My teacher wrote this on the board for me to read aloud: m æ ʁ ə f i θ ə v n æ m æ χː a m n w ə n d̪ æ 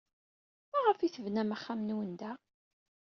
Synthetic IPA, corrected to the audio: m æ ʁ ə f i θ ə v n æ m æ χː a m n w ə n d̪ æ